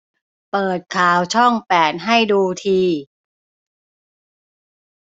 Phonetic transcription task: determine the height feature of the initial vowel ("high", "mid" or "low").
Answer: mid